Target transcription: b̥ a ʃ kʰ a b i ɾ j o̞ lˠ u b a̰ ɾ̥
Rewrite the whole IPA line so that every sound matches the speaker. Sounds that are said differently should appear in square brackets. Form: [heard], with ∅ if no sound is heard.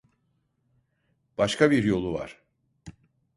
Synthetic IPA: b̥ a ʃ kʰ a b i ɾ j o̞ lˠ u [v] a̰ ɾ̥